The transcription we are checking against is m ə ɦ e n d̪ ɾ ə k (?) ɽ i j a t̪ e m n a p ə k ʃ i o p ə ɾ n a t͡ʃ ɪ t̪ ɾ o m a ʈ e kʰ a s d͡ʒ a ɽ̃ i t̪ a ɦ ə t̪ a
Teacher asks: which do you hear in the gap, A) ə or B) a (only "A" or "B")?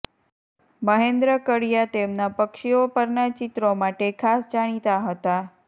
A